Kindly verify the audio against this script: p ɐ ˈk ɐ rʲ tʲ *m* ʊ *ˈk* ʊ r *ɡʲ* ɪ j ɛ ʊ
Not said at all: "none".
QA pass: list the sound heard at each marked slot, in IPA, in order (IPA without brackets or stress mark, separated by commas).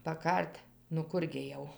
n, k, ɡʲ